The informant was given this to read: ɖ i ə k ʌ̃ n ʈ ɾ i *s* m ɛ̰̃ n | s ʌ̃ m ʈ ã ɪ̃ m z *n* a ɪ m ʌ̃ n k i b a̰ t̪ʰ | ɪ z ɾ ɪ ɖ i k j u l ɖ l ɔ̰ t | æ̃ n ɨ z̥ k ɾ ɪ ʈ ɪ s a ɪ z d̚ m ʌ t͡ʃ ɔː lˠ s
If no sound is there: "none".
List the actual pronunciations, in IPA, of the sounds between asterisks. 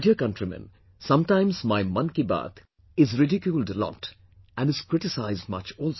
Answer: none, m

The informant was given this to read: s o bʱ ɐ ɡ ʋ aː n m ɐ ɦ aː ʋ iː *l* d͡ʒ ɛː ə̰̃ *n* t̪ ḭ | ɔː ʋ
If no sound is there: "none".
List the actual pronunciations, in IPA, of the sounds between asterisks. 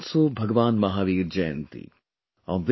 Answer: ɾ, n

